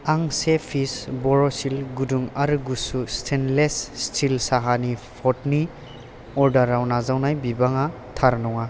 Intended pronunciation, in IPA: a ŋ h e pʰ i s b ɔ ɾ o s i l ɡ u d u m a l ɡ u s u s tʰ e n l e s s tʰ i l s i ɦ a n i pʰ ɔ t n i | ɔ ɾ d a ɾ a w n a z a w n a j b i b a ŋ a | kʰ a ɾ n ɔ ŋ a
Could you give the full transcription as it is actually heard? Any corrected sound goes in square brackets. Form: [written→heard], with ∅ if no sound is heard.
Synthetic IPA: a ŋ [h→s] e pʰ i s b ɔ ɾ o s i l ɡ u d u [m→ŋ] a [l→ɾ] ɡ u s u s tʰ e n l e s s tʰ i l s [i→a] ɦ a n i pʰ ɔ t n i | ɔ ɾ d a ɾ a w n a z a w n a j b i b a ŋ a | [kʰ→tʰ] a ɾ n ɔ ŋ a